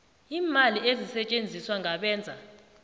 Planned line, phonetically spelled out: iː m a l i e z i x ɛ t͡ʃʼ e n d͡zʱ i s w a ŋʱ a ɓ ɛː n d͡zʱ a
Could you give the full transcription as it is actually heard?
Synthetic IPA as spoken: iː m a l i e z i s ɛ t͡ʃʼ e n d͡zʱ i s w a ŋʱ a ɓ ɛː n d͡zʱ a